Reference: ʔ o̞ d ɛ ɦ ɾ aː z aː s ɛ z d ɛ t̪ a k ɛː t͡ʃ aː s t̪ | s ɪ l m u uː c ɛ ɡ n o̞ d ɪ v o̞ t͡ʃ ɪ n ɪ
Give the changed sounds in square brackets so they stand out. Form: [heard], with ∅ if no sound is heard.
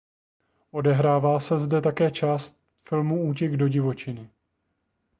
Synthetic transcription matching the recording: ʔ o̞ d ɛ ɦ ɾ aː [v] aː s ɛ z d ɛ t̪ a k ɛː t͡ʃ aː s t̪ | [f] ɪ l m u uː c ɛ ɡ [d] o̞ [ɟ] ɪ v o̞ t͡ʃ ɪ n ɪ